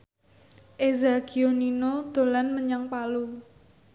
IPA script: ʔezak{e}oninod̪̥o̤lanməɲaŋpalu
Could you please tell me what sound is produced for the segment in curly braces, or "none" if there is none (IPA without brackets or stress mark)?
i